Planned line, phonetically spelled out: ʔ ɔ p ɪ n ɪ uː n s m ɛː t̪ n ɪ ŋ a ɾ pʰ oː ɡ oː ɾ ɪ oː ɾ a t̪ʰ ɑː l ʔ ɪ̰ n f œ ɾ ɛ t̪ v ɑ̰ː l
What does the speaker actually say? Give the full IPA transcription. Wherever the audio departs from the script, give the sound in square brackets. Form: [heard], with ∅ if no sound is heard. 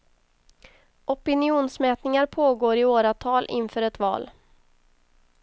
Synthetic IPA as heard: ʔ ɔ p ɪ n ɪ uː n s m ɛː t̪ n ɪ ŋ a ɾ pʰ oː ɡ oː ɾ ɪ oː ɾ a t̪ʰ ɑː l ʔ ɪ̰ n f [œː] ɾ ɛ t̪ v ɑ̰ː l